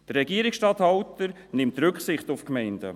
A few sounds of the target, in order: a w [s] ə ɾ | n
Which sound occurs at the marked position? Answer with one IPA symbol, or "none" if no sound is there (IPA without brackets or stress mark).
t